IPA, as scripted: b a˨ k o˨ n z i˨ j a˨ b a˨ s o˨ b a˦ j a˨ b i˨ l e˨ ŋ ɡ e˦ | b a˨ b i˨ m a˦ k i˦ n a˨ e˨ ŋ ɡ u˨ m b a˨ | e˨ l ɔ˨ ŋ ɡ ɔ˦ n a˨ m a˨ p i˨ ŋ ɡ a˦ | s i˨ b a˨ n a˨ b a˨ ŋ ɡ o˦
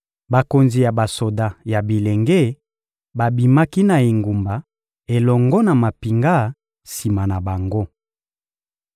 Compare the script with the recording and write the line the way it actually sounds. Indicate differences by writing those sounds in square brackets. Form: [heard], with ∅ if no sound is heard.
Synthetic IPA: b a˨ k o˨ n z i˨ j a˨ b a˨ s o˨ [d] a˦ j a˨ b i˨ l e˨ ŋ ɡ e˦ | b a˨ b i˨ m a˦ k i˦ n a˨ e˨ ŋ ɡ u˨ m b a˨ | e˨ l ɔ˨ ŋ ɡ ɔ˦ n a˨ m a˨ p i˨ ŋ ɡ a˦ | s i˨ [m] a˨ n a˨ b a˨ ŋ ɡ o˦